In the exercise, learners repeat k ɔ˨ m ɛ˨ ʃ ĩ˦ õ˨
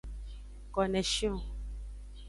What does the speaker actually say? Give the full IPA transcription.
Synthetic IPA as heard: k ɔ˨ n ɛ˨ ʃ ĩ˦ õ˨